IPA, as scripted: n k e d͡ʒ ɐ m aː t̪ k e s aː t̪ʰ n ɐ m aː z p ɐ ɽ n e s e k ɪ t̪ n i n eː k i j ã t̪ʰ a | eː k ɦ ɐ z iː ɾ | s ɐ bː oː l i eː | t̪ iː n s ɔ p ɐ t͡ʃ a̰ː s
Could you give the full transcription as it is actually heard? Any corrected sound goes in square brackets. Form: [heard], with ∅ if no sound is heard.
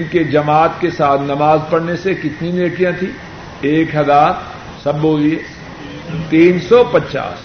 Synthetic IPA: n k e d͡ʒ ɐ m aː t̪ k e s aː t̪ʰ n ɐ m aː z p ɐ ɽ n e s e k ɪ t̪ n i n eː k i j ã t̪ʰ [i] | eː k ɦ ɐ z [aː] ɾ | s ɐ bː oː l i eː | t̪ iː n s ɔ p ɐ t͡ʃ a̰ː s